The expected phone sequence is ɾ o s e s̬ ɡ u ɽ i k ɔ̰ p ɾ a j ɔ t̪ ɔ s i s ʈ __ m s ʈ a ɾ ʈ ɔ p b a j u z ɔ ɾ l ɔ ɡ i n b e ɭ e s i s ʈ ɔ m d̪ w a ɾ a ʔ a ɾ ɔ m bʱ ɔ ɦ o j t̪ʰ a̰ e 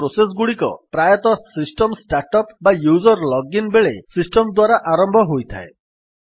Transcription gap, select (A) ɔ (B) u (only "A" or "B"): A